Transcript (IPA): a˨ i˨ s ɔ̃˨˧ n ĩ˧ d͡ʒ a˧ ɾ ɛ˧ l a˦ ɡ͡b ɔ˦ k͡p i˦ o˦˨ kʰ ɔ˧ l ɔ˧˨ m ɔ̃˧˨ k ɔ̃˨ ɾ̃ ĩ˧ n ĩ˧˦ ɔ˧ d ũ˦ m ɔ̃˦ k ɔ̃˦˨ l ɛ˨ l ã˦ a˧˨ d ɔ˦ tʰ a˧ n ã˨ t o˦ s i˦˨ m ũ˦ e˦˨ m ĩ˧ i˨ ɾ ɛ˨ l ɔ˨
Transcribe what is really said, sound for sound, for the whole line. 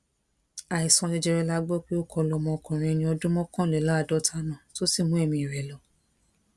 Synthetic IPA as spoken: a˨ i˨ s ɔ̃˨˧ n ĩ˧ d͡ʒ ɛ˧ ɾ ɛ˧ l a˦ ɡ͡b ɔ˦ k͡p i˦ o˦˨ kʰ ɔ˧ l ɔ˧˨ m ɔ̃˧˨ k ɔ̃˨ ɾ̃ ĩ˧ n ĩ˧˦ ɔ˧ d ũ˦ m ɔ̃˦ k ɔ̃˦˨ l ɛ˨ l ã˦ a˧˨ d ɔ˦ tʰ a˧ n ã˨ t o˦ s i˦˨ m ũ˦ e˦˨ m ĩ˧ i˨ ɾ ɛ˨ l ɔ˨